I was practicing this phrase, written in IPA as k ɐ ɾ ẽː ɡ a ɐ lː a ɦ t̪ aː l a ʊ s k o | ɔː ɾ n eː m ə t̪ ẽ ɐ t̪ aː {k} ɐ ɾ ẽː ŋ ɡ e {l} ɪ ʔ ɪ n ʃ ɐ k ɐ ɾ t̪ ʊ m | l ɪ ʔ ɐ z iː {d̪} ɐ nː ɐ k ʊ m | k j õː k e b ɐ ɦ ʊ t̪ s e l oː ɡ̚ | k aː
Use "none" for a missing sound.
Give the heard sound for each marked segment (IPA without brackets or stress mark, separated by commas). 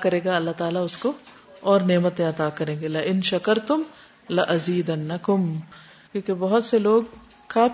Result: k, l, d̪